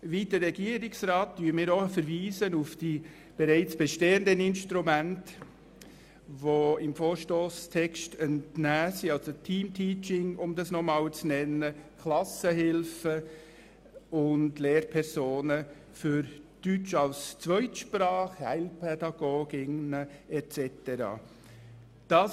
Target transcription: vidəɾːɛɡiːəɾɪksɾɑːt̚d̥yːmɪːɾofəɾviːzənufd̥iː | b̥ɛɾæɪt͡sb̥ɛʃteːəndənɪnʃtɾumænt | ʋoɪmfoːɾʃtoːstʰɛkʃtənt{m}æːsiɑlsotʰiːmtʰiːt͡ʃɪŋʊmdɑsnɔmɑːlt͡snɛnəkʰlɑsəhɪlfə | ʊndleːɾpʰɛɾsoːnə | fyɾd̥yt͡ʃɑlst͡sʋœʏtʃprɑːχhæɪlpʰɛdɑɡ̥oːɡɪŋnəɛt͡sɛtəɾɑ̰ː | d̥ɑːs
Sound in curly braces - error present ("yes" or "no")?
yes